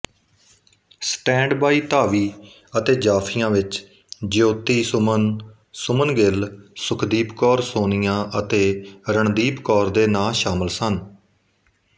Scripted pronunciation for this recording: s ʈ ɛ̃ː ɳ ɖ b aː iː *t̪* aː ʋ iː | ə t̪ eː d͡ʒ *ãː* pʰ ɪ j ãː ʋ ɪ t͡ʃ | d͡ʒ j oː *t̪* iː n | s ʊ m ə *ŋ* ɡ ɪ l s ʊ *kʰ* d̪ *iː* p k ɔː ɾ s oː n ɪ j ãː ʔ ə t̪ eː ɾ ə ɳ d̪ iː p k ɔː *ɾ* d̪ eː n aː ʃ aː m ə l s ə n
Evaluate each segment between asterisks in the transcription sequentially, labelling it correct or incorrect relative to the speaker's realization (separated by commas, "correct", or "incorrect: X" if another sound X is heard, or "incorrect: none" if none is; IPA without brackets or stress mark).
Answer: correct, incorrect: aː, correct, incorrect: n, correct, correct, correct